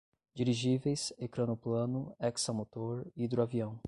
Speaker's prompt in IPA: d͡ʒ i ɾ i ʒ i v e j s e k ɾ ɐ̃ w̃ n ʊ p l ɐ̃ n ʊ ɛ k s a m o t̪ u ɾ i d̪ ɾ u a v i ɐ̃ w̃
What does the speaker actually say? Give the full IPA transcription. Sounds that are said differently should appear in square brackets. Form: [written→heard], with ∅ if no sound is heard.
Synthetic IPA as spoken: d͡ʒ i ɾ i ʒ i v e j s e k ɾ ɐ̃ [w̃→∅] n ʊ p l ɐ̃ n ʊ ɛ k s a m o t̪ [u→o] ɾ i d̪ ɾ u a v i ɐ̃ w̃